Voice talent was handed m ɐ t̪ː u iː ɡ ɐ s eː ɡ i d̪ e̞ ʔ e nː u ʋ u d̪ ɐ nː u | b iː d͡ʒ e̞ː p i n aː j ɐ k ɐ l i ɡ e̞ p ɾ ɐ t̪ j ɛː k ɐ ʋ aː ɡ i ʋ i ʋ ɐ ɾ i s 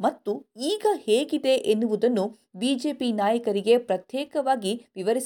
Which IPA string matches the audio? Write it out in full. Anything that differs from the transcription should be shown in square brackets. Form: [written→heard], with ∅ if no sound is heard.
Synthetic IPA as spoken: m ɐ t̪ː u iː ɡ ɐ [s→h] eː ɡ i d̪ e̞ ʔ e nː u ʋ u d̪ ɐ nː u | b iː d͡ʒ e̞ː p i n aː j ɐ k ɐ [l→ɾ] i ɡ e̞ p ɾ ɐ t̪ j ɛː k ɐ ʋ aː ɡ i ʋ i ʋ ɐ ɾ i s